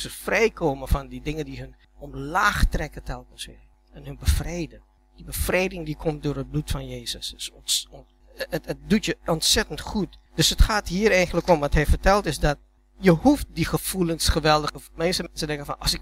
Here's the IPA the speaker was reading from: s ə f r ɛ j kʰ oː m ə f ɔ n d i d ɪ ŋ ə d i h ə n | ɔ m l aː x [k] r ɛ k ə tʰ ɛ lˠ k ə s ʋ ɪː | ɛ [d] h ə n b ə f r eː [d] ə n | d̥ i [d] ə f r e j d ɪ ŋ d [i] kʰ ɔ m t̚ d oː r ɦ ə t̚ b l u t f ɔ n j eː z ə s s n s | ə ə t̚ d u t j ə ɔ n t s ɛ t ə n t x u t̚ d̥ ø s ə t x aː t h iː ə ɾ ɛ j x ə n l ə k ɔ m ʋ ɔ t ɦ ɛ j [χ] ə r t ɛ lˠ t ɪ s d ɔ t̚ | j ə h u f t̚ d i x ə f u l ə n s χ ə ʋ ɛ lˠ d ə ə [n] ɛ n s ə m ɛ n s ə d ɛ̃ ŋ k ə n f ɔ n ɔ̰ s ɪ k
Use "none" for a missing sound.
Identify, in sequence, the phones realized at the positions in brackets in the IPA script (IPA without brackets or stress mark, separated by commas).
t, n, d, b, i, f, m